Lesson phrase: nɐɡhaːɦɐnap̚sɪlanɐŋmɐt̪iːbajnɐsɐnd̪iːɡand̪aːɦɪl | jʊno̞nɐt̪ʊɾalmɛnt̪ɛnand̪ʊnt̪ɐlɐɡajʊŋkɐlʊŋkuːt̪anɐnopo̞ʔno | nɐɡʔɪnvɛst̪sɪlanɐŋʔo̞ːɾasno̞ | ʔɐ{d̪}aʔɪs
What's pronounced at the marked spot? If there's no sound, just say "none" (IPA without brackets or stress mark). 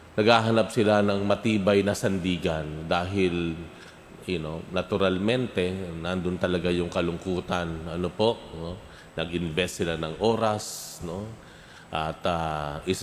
t̪